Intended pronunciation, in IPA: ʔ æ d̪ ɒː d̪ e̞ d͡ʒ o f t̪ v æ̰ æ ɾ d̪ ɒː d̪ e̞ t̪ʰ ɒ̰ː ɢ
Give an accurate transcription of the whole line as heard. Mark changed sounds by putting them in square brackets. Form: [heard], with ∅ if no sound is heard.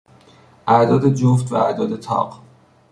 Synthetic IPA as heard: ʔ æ d̪ ɒː d̪ e̞ d͡ʒ o f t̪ v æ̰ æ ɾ d̪ ɒː d̪ e̞ t̪ʰ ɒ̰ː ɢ